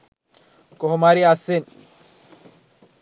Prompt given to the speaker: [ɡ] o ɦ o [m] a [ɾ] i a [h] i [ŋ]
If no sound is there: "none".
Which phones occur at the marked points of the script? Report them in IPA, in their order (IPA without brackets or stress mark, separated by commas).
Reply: k, m, ɾ, s, n